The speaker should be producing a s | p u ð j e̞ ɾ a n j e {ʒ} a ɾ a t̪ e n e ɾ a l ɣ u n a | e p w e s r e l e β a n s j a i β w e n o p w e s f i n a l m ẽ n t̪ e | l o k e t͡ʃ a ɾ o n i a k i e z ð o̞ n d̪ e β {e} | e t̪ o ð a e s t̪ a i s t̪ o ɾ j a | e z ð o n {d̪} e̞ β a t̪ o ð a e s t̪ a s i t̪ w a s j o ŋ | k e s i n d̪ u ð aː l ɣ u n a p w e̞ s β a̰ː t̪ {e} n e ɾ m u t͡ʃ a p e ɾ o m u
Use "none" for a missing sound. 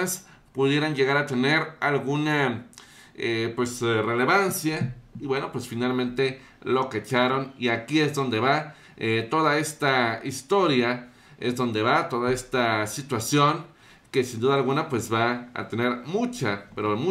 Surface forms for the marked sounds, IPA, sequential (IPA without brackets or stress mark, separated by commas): ɣ, a, d̪, e